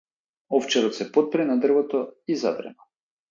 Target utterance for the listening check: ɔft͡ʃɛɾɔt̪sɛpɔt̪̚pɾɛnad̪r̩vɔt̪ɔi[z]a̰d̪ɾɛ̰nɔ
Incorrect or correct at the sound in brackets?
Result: correct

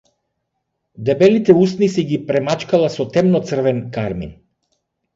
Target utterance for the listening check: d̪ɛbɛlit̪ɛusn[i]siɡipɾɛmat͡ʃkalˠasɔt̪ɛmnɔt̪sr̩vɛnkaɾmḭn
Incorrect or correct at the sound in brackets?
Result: correct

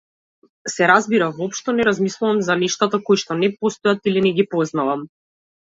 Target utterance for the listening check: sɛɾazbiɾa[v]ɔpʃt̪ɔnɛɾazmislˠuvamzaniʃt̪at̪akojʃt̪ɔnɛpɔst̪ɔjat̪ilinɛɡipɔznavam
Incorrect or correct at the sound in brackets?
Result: correct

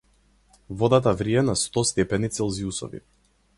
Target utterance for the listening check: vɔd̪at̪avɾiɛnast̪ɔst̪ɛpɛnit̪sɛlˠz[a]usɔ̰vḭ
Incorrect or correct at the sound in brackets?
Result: incorrect: i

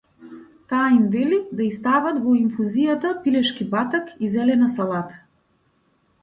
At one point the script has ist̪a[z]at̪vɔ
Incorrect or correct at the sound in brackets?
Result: incorrect: v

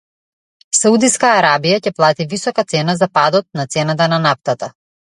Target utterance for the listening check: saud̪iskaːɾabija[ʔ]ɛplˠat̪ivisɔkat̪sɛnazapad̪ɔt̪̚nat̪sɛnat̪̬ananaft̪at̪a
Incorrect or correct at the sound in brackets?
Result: incorrect: c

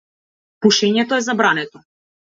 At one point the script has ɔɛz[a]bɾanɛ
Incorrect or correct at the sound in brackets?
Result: correct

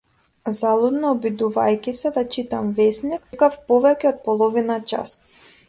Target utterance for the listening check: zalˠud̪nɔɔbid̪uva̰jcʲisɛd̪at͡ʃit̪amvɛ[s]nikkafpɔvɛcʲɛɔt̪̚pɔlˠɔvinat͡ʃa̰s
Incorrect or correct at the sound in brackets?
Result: correct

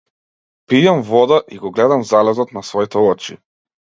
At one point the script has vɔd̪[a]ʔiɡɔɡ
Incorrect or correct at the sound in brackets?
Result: correct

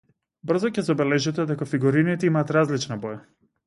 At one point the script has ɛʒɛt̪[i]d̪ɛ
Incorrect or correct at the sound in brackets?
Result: incorrect: ɛ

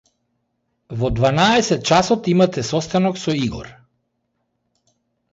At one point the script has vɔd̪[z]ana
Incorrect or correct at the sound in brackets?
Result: incorrect: v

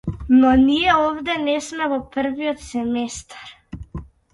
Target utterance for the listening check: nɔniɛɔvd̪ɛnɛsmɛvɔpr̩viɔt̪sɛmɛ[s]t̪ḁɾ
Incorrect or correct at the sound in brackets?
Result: correct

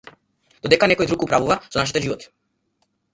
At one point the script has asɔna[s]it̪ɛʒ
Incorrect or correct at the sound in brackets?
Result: incorrect: ʃ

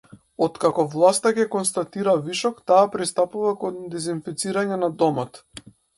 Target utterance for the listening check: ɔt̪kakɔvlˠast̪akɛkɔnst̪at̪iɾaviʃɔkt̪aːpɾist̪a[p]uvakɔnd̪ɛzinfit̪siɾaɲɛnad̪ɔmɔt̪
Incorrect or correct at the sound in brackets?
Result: correct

